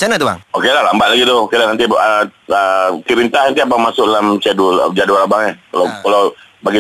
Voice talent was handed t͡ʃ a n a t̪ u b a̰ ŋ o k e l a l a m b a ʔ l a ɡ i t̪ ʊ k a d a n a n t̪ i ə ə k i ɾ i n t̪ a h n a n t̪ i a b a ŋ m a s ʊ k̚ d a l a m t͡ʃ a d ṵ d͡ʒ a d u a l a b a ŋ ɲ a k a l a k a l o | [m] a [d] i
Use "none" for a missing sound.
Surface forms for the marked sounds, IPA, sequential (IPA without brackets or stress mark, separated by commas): b, ɡ